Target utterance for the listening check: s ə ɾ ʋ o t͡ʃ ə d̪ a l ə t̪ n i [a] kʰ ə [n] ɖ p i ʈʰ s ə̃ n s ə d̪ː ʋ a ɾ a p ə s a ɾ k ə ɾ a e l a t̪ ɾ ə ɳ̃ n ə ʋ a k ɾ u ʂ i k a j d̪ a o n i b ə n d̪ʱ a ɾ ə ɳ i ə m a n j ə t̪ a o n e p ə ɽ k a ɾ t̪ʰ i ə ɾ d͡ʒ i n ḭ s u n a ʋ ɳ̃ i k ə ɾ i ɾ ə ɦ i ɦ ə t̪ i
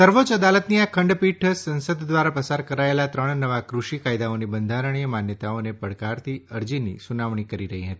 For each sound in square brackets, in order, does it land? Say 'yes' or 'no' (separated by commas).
yes, no